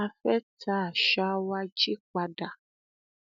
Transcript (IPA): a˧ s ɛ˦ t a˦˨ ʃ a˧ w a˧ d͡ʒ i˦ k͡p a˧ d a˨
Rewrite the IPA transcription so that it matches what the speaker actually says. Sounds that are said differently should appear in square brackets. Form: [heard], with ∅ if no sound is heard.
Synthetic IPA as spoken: a˧ [f] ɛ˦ t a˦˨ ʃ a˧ w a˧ d͡ʒ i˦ k͡p a˧ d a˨